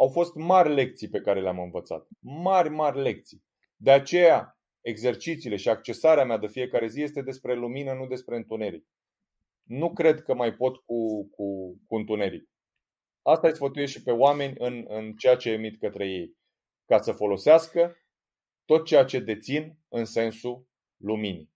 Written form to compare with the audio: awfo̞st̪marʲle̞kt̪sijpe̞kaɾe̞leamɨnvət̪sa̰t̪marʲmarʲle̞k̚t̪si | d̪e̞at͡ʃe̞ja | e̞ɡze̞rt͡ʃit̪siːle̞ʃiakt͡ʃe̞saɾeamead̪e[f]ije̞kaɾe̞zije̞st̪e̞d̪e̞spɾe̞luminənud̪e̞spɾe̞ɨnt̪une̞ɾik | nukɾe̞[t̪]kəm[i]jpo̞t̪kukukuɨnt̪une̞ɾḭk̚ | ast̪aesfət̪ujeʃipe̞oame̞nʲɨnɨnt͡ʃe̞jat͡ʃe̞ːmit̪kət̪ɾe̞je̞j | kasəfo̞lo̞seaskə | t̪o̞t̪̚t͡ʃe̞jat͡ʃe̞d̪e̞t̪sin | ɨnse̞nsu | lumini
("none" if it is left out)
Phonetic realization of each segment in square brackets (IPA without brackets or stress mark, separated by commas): f, d̪, a